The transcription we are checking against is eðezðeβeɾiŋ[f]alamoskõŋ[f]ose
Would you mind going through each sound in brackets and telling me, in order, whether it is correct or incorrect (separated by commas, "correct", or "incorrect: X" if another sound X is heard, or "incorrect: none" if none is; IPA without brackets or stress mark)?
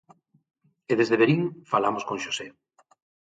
correct, incorrect: ʃ